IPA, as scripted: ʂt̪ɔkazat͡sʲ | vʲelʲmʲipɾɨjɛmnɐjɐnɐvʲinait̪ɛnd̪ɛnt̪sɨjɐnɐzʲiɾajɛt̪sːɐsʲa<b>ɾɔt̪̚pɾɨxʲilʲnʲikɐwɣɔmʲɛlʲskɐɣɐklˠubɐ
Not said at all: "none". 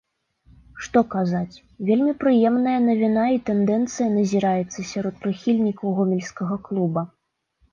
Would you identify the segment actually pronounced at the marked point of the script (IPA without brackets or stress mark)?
none